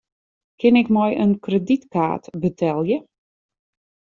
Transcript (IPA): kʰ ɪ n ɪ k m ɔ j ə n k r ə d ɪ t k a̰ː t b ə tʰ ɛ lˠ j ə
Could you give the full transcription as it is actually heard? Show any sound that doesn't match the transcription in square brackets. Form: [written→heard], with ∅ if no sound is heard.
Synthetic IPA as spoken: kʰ ɪ n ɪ k m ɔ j ə n k r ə d [ɪ→i] t k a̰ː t b ə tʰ ɛ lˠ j ə